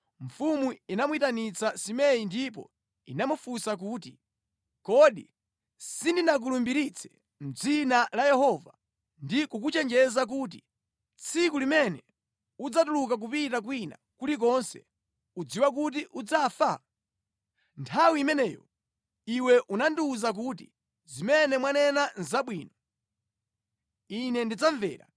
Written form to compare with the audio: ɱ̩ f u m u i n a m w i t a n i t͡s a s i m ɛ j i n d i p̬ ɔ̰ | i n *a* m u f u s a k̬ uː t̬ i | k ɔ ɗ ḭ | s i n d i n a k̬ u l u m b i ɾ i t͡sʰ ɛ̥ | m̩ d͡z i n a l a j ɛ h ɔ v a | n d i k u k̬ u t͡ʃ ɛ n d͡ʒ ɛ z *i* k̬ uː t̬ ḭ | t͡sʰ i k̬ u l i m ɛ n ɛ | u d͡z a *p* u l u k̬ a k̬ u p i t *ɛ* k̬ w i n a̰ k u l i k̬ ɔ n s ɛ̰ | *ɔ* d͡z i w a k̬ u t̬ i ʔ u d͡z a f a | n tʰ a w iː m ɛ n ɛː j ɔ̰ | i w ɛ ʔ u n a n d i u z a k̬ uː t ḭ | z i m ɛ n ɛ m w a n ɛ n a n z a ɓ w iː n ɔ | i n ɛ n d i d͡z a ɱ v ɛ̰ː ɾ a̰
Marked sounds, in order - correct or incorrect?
correct, incorrect: a, incorrect: t, incorrect: a, incorrect: u

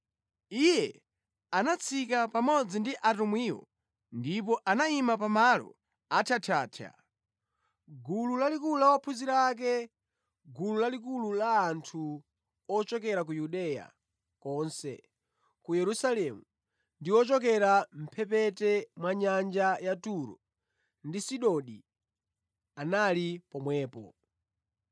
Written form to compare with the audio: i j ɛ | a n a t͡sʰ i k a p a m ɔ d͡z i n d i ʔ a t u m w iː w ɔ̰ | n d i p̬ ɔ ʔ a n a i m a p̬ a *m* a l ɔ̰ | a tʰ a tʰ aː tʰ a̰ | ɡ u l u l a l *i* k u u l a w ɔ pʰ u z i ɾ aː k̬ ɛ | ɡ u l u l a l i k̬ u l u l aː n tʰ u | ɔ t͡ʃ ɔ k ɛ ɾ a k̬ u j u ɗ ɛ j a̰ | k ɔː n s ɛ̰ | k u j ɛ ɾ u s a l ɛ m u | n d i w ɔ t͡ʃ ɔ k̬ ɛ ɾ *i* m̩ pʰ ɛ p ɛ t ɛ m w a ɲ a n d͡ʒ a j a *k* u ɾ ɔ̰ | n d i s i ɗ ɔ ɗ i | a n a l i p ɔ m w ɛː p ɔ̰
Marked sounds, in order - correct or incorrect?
correct, correct, incorrect: a, incorrect: t

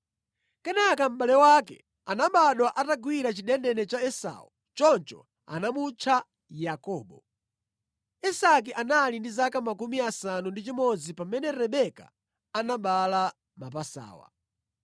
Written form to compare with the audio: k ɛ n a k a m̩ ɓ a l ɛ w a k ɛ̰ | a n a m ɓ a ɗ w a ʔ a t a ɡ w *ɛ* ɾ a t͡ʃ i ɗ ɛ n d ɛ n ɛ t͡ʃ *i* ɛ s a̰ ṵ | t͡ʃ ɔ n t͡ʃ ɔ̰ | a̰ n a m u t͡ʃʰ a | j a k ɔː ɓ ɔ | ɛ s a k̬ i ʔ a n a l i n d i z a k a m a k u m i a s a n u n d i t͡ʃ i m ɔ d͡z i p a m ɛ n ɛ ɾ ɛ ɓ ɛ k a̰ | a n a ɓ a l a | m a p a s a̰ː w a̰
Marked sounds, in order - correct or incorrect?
incorrect: i, incorrect: a

